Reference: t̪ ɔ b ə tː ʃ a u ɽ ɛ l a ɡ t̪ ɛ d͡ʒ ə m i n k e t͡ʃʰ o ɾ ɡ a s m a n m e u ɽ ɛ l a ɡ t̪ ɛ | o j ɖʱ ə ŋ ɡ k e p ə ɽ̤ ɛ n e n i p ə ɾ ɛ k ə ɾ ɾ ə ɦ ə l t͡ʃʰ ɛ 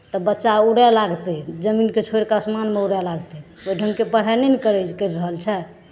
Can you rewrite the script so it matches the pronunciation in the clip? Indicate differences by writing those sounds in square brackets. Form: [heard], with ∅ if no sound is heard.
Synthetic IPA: t̪ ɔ b ə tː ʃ a u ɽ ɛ l a ɡ t̪ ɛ d͡ʒ ə m i n k e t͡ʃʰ o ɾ [k] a s m a n m e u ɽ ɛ l a ɡ t̪ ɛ | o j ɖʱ ə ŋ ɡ k e p ə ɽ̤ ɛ n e n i [k] ə ɾ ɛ k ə ɾ ɾ ə ɦ ə l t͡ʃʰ ɛ